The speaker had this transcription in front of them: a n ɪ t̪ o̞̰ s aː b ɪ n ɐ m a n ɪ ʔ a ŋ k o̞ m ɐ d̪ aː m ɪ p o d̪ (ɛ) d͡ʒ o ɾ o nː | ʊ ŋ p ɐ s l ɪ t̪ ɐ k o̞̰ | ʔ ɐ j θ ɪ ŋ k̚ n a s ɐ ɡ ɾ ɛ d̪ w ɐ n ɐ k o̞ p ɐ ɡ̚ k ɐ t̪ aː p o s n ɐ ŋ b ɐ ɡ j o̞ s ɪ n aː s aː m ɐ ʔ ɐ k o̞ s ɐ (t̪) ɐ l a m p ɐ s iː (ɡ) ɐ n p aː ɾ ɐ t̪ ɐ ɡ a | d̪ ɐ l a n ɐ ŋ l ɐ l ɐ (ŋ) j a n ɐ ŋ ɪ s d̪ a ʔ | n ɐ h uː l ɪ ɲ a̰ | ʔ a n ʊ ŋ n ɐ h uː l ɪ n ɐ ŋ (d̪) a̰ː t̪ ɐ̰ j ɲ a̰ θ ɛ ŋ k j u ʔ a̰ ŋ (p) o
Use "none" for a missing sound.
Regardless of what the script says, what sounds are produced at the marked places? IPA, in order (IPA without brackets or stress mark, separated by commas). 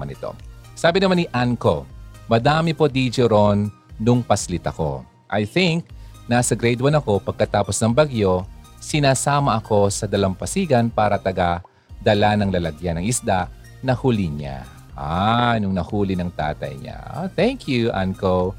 i, d̪, ɡ, ɡ, t̪, k